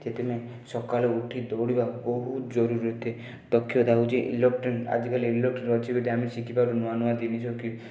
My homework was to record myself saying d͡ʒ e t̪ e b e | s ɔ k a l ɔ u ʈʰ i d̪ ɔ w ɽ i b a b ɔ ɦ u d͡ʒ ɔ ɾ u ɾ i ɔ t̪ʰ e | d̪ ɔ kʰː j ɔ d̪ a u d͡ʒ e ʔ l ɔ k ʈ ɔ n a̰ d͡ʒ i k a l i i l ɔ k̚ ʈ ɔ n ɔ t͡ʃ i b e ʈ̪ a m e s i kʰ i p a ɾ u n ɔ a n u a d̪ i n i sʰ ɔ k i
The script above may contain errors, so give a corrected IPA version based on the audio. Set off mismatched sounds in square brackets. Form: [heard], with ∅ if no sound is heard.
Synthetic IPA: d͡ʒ e t̪ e [m] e | s ɔ k a l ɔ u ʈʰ i d̪ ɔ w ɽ i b a b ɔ ɦ u d͡ʒ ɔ ɾ u ɾ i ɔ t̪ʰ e | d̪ ɔ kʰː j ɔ d̪ a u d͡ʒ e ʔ l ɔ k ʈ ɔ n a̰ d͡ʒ i k a l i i l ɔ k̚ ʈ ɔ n ɔ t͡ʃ i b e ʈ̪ a m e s i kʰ i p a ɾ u n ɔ a n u a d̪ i n i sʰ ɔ k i

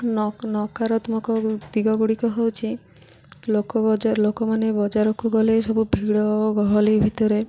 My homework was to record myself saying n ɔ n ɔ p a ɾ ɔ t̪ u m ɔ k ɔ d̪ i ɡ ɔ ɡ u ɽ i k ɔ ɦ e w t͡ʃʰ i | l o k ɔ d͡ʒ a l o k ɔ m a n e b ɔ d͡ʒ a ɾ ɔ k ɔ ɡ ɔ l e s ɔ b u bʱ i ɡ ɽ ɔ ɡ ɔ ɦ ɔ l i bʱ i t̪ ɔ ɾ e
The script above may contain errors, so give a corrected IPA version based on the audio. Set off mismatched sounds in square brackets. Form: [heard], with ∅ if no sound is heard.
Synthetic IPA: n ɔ n ɔ [k] a ɾ ɔ t̪ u m ɔ k ɔ d̪ i ɡ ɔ ɡ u ɽ i k ɔ ɦ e w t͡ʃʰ i | l o k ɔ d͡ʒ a l o k ɔ m a n e b ɔ d͡ʒ a ɾ ɔ k [u] ɡ ɔ l e s ɔ b u bʱ i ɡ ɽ ɔ ɡ ɔ ɦ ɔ l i bʱ i t̪ ɔ ɾ e

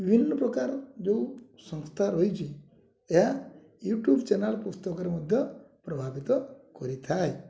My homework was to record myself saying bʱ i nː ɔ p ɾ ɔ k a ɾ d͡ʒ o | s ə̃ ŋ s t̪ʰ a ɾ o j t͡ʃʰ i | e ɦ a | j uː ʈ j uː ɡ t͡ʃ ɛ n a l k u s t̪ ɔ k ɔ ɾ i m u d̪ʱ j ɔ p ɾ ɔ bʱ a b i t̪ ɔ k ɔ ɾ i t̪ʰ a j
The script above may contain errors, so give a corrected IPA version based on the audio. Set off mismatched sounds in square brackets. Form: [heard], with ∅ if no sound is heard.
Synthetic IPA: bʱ i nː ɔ p ɾ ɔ k a ɾ d͡ʒ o | s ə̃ ŋ s t̪ʰ a ɾ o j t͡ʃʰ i | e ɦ a | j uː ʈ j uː [b] t͡ʃ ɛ n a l [p] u s t̪ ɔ k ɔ ɾ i m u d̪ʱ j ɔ p ɾ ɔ bʱ a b i t̪ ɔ k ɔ ɾ i t̪ʰ a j

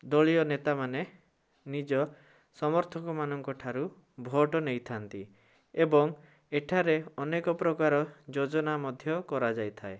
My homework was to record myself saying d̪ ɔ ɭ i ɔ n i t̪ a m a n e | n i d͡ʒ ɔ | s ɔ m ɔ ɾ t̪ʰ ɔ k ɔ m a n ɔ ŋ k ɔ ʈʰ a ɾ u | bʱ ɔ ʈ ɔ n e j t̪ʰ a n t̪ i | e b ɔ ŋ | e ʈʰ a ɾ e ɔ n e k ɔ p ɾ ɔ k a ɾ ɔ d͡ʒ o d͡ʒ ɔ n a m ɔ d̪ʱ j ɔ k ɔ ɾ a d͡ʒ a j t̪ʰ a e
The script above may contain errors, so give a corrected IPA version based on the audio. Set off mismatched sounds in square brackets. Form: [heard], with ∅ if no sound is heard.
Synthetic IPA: d̪ ɔ ɭ i ɔ n [e] t̪ a m a n e | n i d͡ʒ ɔ | s ɔ m ɔ ɾ t̪ʰ ɔ k ɔ m a n ɔ ŋ k ɔ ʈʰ a ɾ u | bʱ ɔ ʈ ɔ n e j t̪ʰ a n t̪ i | e b ɔ ŋ | e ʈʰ a ɾ e ɔ n e k ɔ p ɾ ɔ k a ɾ ɔ d͡ʒ o d͡ʒ ɔ n a m ɔ d̪ʱ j ɔ k ɔ ɾ a d͡ʒ a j t̪ʰ a e

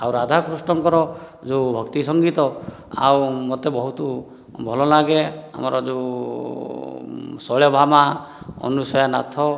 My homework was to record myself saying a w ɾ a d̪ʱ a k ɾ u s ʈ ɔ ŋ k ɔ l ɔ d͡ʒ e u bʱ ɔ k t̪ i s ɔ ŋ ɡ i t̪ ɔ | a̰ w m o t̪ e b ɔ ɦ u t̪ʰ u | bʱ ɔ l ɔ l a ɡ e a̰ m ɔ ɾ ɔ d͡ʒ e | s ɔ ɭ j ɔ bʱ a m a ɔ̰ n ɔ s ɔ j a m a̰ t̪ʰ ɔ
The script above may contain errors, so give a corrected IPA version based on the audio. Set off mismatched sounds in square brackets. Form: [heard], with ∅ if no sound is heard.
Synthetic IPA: a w ɾ a d̪ʱ a k ɾ u s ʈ ɔ ŋ k ɔ [ɾ] ɔ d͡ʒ e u bʱ ɔ k t̪ i s ɔ ŋ ɡ i t̪ ɔ | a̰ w m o t̪ e b ɔ ɦ u [t̪] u | bʱ ɔ l ɔ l a ɡ e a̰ m ɔ ɾ ɔ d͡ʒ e | s ɔ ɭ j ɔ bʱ a m a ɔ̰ n [u] s ɔ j a [n] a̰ t̪ʰ ɔ

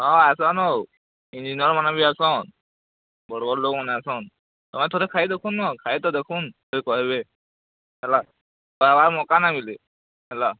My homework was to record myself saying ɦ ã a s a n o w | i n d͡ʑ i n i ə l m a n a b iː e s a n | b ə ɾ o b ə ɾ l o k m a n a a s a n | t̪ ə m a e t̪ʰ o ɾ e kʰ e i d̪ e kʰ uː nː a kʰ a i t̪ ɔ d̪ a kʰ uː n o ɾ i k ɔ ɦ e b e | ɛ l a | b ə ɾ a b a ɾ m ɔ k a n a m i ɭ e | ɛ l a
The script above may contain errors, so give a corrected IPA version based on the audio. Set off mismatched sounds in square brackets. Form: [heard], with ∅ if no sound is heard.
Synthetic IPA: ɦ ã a s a n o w | i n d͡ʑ i n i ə [ɾ] m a n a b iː [a] s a n | b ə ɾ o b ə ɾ l o k m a n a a s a n | t̪ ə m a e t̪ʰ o ɾ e kʰ [a] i d̪ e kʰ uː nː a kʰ a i t̪ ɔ d̪ [e] kʰ uː n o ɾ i k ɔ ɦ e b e | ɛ l a | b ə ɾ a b a ɾ m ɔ k a n a m i [l] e | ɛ l a

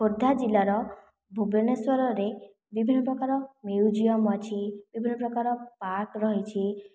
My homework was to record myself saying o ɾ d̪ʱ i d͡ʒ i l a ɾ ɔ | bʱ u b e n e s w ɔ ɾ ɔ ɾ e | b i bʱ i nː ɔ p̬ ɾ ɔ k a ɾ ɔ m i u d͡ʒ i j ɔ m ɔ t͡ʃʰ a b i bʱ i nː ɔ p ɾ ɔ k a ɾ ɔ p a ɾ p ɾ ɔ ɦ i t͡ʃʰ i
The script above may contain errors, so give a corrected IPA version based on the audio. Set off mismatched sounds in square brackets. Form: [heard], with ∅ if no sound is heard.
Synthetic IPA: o ɾ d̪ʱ [a] d͡ʒ i l a ɾ ɔ | bʱ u b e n e s w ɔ ɾ ɔ ɾ e | b i bʱ i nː ɔ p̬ ɾ ɔ k a ɾ ɔ m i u d͡ʒ i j ɔ m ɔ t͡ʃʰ [i] b i bʱ i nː ɔ p ɾ ɔ k a ɾ ɔ p a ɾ [k] ɾ ɔ ɦ i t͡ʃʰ i

